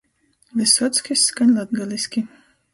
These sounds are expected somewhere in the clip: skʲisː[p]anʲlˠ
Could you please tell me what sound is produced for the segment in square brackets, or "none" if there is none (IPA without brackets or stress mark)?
k